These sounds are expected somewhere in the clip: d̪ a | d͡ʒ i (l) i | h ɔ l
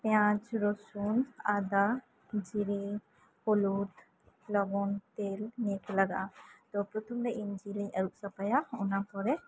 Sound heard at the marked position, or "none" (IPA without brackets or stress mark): ɾ